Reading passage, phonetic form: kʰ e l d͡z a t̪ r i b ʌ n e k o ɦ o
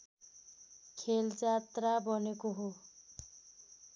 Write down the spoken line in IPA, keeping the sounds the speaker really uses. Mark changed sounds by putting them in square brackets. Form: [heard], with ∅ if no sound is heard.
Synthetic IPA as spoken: kʰ e l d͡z a t̪ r [a] b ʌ n e k o ɦ o